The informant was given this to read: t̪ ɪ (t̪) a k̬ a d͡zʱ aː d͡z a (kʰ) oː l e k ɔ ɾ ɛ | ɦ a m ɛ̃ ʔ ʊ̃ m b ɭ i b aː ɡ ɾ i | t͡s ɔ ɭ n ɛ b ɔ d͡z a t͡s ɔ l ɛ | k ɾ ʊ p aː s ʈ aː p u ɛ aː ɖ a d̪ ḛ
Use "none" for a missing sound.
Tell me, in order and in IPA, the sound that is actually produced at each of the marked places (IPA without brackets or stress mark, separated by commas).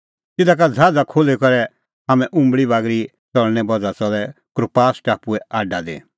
d̪, kʰ